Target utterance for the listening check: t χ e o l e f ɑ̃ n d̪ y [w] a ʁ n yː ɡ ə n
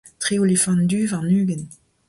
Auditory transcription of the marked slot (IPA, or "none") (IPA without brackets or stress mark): v